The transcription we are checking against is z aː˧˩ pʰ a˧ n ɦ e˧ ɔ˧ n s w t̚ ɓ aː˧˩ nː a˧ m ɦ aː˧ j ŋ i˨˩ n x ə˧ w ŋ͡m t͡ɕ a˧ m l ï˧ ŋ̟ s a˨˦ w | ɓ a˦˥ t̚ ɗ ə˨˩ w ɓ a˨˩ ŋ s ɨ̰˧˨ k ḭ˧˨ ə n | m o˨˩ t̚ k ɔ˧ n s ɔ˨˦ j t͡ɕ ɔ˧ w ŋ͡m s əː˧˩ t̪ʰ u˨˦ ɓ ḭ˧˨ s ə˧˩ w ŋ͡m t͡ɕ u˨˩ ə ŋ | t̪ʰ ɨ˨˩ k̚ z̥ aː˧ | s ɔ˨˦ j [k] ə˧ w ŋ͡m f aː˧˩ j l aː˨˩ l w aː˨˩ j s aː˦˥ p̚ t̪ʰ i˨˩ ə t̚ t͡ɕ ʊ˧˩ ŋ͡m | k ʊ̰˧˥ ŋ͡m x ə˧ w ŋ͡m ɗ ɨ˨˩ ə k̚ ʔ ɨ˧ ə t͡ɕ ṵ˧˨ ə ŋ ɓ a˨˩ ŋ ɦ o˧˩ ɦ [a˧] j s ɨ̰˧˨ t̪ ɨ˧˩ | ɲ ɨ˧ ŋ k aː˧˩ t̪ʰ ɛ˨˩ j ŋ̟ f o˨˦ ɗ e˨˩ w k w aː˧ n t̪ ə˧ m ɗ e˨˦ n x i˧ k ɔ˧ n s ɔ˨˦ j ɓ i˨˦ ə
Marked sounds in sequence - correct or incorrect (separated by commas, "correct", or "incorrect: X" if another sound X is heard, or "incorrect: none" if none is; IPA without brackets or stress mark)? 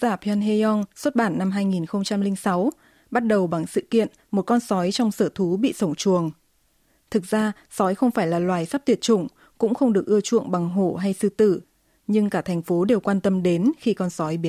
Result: incorrect: x, correct